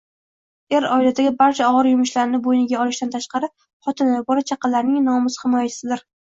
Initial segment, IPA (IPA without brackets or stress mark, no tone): e̞